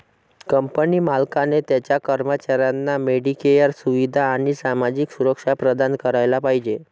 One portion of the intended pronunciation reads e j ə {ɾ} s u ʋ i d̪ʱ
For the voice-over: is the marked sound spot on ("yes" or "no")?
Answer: yes